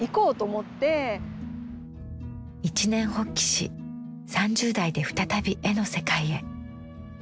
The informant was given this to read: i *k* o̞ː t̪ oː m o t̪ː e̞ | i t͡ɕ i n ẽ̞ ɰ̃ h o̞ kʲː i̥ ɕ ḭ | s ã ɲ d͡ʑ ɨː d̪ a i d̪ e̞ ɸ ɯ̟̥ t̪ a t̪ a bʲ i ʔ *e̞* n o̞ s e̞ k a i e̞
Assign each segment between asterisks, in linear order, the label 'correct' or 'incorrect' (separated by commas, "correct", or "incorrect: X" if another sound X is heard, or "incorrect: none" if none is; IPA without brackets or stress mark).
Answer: correct, correct